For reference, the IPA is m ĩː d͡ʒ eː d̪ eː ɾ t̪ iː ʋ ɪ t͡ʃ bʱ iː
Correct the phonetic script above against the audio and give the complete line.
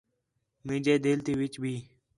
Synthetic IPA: m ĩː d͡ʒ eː d̪ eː l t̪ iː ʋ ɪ t͡ʃ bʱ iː